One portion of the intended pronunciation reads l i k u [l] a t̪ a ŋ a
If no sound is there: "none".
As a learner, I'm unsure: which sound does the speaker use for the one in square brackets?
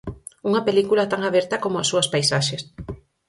l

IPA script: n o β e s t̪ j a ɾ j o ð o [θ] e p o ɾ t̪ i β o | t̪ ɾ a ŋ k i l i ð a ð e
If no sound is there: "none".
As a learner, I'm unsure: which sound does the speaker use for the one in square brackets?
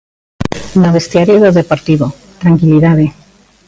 ð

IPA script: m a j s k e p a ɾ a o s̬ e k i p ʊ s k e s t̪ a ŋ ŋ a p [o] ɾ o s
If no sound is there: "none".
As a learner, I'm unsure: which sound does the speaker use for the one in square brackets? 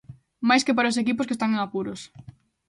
u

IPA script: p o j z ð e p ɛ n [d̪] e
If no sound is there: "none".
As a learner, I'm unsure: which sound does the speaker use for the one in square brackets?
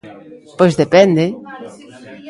d̪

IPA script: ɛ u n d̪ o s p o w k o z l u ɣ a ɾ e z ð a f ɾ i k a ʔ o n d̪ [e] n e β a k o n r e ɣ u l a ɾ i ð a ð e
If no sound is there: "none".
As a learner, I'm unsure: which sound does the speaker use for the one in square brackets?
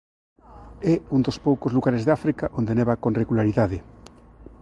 e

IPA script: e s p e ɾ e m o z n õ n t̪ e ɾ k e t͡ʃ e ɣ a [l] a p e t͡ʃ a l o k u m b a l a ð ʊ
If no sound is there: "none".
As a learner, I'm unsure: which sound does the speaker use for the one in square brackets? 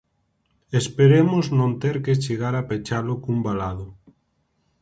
ɾ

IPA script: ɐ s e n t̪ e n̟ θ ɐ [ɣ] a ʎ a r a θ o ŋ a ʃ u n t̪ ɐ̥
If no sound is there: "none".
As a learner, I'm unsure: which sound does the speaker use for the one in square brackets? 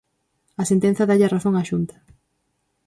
ð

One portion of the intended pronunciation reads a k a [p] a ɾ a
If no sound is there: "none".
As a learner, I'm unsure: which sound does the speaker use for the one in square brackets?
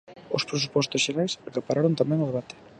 p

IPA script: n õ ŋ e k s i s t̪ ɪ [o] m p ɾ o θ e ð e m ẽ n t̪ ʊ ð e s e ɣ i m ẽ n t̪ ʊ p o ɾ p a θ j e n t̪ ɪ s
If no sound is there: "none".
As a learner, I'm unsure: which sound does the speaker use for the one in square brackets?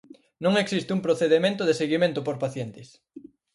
u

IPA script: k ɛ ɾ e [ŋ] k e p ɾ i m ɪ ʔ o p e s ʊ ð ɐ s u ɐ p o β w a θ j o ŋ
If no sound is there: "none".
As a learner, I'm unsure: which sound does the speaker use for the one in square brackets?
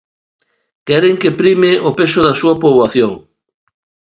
ŋ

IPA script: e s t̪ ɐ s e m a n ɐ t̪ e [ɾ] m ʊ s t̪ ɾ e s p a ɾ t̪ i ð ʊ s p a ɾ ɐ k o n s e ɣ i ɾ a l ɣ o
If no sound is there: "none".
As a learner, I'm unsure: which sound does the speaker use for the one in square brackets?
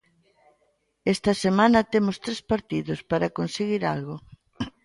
none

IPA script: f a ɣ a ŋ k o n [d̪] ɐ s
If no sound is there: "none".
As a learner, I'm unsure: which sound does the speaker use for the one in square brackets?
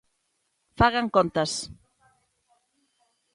t̪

